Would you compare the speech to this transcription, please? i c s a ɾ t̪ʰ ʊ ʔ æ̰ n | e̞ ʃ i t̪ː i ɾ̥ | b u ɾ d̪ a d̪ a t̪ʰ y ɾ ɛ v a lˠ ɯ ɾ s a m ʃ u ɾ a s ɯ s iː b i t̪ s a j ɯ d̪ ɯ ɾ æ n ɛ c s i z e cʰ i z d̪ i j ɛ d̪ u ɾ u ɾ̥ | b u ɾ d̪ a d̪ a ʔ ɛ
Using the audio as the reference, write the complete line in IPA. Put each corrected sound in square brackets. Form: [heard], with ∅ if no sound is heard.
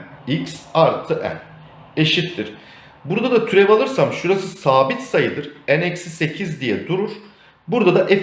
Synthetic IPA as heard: i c s a ɾ t̪ʰ [ɯ] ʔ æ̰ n | e̞ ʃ i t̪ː i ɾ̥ | b u ɾ d̪ a d̪ a t̪ʰ y ɾ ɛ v a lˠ ɯ ɾ s a m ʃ u ɾ a s ɯ s [aː] b i t̪ s a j ɯ d̪ ɯ ɾ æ n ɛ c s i [s] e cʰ i z d̪ i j ɛ d̪ u ɾ u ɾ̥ | b u ɾ d̪ a d̪ a ʔ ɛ

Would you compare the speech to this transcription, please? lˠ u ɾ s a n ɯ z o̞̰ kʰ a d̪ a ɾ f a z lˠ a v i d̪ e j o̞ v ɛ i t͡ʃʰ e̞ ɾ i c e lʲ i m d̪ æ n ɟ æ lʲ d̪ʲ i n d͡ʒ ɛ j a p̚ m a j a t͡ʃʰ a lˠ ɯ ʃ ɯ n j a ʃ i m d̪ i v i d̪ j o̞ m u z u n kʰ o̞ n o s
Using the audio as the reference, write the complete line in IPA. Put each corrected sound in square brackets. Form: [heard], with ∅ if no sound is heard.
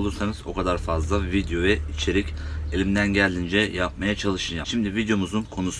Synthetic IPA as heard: lˠ u ɾ s a n ɯ z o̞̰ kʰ a d̪ a ɾ f a z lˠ a v i d̪ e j o̞ v ɛ i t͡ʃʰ e̞ ɾ i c e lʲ i m d̪ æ n ɟ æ lʲ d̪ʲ i n d͡ʒ ɛ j a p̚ m a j a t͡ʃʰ a lˠ ɯ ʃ ɯ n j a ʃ i m d̪ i v i d̪ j o̞ m u z u n kʰ o̞ n [u] s

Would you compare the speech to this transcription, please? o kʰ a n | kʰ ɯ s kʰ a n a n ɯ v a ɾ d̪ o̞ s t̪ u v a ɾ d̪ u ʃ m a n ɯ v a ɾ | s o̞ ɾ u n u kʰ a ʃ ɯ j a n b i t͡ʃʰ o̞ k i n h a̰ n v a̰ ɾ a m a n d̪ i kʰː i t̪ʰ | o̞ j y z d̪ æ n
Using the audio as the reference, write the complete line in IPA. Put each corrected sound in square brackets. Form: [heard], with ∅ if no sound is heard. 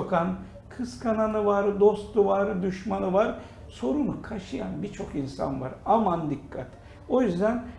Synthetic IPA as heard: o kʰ a n | kʰ ɯ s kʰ a n a n ɯ v a ɾ d̪ o̞ s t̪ u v a ɾ d̪ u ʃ m a n ɯ v a ɾ | s o̞ ɾ u n u kʰ a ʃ ɯ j a n b i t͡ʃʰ o̞ k i n [s] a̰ n v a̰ ɾ a m a n d̪ i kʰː [a] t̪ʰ | o̞ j y z d̪ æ n

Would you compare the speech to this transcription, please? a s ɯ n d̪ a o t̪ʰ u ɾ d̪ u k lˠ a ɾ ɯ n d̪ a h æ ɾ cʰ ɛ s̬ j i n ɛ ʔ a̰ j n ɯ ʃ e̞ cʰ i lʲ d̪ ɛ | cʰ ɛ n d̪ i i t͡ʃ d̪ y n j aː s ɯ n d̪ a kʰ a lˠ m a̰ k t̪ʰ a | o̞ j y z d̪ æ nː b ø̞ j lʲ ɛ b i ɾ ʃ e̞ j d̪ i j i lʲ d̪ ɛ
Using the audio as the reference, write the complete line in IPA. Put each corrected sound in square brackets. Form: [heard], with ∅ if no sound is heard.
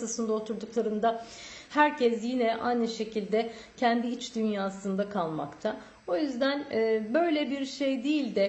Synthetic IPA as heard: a s ɯ n d̪ a o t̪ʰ u ɾ d̪ u k lˠ a ɾ ɯ n d̪ a h æ ɾ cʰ ɛ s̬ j i n ɛ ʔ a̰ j n ɯ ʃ e̞ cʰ i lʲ d̪ ɛ | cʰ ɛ n d̪ i i t͡ʃ d̪ y n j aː s ɯ n d̪ a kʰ a lˠ m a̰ k t̪ʰ a | o̞ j y z d̪ æ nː b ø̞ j lʲ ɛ b i ɾ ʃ e̞ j d̪ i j i lʲ d̪ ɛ

